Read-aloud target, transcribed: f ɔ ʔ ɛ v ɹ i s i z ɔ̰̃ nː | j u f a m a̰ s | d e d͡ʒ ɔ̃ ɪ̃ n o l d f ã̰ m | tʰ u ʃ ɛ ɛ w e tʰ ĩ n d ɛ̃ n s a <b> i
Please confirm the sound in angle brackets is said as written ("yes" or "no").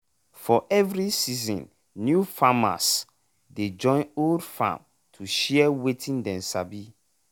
yes